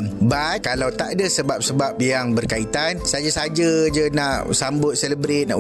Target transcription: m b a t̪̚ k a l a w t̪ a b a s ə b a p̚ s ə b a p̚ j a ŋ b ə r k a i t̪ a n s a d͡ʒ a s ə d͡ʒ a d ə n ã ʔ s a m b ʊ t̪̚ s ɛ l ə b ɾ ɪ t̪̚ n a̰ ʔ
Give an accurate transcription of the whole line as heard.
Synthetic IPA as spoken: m b a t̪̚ k a l a w t̪ a d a s ə b a p̚ s ə b a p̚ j a ŋ b ə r k a i t̪ a n s a d͡ʒ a s a d͡ʒ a d͡ʒ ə n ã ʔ s a m b ʊ t̪̚ s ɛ l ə b ɾ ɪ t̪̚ n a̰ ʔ